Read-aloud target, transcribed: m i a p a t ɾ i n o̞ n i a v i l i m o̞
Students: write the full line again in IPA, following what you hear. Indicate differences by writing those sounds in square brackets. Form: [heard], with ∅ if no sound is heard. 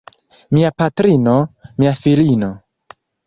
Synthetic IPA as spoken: m i a p a t ɾ i n o̞ [m] i a [f] i l i [n] o̞